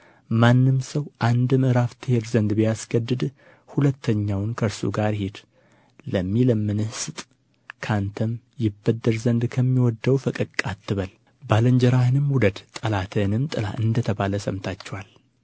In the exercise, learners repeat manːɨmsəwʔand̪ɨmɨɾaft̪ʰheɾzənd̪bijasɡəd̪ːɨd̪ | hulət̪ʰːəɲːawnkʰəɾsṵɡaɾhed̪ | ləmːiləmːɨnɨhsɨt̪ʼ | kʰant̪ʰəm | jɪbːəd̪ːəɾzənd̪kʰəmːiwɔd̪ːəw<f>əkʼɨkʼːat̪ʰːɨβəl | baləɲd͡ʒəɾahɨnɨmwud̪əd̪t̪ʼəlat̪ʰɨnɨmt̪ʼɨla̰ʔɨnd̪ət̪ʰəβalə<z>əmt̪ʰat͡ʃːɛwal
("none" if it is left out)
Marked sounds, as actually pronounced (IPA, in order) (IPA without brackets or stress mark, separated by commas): f, s